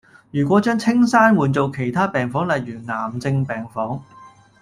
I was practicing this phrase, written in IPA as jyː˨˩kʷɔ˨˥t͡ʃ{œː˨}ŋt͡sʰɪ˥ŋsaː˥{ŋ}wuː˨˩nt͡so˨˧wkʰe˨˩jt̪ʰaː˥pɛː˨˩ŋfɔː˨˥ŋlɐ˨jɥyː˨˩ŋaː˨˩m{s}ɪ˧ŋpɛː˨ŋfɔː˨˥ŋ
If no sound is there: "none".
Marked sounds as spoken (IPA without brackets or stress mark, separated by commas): œː˥, n, t͡s